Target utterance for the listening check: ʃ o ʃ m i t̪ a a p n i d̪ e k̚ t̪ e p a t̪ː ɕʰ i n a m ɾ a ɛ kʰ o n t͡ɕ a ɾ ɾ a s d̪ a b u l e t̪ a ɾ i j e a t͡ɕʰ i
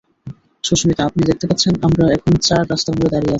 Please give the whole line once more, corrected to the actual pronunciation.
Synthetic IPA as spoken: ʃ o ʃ m i t̪ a a p n i d̪ e k̚ t̪ e p a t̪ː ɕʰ e n a m ɾ a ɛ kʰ o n t͡ɕ a ɾ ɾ a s t̪ a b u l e d̪ a ɾ i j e a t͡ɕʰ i